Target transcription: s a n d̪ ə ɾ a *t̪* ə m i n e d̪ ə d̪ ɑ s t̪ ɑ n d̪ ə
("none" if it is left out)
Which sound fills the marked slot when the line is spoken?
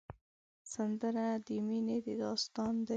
d̪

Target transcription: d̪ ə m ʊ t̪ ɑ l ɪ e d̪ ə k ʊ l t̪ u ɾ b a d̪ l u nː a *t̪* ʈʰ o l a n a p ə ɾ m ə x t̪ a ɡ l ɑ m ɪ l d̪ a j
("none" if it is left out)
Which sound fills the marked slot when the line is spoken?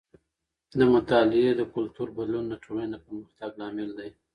none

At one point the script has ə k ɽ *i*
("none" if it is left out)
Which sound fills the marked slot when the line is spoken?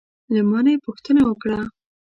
a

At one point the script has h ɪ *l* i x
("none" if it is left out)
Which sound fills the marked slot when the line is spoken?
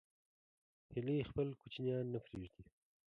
l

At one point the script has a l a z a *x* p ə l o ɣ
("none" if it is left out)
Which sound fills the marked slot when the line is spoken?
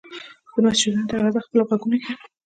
x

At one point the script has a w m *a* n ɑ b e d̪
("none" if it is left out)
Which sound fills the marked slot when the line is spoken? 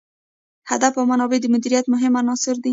a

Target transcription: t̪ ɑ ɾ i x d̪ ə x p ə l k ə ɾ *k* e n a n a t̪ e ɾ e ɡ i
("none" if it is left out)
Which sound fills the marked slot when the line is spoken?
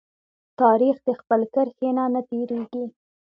x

